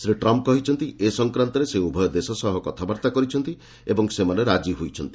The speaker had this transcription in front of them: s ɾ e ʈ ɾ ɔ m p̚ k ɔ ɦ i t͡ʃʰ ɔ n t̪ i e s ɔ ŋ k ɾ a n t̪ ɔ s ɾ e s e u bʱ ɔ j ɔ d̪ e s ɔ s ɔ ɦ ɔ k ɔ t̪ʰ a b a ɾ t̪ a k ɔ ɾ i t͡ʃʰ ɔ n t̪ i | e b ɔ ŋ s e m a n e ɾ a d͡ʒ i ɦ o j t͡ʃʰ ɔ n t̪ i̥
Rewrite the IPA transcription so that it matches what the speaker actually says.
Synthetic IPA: s ɾ i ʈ ɾ ɔ m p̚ k ɔ ɦ i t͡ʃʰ ɔ n t̪ i e s ɔ ŋ k ɾ a n t̪ ɔ ɾ e s e u bʱ ɔ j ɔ d̪ e s ɔ s ɔ ɦ ɔ k ɔ t̪ʰ a b a ɾ t̪ a k ɔ ɾ i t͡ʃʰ ɔ n t̪ i | e b ɔ ŋ s e m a n e ɾ a d͡ʒ i ɦ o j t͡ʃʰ ɔ n t̪ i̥